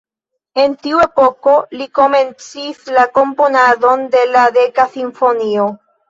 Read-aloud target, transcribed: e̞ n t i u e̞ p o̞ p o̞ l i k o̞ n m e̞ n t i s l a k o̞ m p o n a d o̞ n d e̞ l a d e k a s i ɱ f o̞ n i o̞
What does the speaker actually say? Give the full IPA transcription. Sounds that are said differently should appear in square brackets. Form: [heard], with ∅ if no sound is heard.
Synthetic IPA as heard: e̞ n t i u e̞ p o̞ [k] o̞ l i k o̞ [∅] m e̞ n [t͡s] i s l a k o̞ m p o n a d o̞ n d e̞ l a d e k a s i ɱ f o̞ n i o̞